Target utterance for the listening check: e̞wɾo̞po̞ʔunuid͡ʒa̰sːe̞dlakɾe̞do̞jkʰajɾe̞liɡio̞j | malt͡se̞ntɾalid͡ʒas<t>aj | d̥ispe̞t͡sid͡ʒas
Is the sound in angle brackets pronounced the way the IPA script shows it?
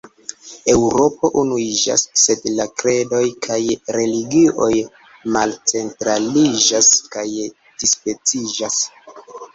no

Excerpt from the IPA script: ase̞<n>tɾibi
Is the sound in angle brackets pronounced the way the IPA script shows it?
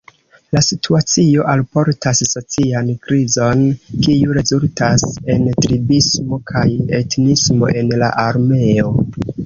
yes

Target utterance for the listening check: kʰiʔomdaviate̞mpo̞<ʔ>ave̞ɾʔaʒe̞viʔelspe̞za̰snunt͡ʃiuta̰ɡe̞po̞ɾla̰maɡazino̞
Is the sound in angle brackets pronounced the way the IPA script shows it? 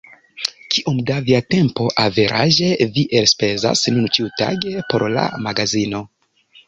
yes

